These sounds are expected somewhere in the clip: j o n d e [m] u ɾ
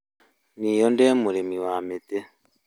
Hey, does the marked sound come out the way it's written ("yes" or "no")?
yes